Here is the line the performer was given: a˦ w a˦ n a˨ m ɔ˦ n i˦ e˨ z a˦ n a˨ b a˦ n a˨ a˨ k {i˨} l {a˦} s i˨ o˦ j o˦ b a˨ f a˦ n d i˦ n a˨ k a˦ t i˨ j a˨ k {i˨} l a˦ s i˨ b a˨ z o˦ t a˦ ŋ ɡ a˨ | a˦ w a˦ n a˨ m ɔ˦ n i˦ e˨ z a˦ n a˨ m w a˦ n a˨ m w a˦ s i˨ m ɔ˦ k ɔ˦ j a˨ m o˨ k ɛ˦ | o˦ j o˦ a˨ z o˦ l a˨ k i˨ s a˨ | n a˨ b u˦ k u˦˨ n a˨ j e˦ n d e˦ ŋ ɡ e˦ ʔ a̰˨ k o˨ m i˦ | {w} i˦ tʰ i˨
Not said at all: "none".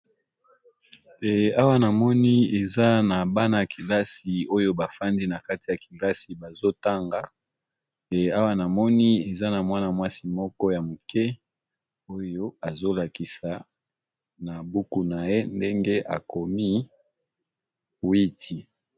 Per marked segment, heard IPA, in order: i˨, a˦, i˨, w

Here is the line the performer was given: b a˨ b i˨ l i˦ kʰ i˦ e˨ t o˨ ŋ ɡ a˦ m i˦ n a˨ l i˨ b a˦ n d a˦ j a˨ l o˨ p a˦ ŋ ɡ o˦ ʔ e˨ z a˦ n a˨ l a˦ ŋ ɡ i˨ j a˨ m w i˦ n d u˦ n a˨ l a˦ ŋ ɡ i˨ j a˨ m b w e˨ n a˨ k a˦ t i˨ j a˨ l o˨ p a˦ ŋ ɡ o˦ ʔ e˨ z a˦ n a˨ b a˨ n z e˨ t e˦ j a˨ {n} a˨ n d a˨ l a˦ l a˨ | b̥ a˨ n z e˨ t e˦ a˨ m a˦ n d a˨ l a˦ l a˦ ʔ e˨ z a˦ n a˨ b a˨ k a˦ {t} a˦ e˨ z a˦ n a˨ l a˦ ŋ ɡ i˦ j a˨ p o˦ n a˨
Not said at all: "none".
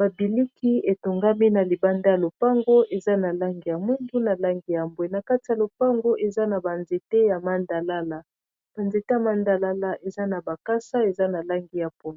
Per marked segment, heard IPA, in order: m, s

